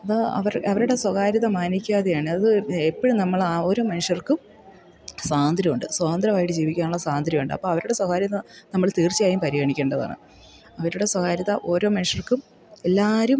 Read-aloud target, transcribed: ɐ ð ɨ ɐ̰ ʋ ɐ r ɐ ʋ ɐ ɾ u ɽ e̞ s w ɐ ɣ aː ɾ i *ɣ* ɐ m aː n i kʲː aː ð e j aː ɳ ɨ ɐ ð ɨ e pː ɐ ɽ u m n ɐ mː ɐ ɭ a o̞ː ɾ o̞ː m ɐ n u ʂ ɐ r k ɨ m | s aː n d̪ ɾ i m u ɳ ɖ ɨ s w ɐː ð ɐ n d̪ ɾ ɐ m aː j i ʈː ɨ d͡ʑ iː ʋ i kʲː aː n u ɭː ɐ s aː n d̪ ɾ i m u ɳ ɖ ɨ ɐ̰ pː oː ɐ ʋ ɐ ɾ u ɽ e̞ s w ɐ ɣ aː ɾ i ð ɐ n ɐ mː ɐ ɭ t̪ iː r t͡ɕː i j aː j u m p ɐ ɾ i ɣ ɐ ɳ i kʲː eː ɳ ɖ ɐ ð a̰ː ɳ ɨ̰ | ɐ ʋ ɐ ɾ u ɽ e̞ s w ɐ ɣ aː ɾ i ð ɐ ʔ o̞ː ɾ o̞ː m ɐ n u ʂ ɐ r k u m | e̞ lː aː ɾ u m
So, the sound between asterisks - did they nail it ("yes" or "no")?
no